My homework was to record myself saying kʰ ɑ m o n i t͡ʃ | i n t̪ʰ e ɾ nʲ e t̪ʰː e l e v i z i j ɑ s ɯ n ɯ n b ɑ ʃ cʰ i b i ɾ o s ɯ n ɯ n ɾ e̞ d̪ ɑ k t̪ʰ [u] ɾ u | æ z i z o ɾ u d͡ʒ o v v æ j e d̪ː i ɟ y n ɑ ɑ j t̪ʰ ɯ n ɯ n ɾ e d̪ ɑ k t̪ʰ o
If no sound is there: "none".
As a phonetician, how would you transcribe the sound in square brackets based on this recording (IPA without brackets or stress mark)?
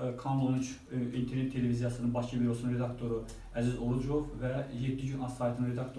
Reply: o